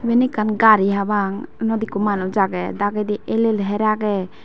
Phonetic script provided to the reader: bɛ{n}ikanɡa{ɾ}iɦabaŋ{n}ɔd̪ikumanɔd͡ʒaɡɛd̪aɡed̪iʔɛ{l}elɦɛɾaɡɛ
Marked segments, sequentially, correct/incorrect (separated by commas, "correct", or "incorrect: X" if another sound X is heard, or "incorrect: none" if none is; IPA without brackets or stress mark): correct, correct, correct, correct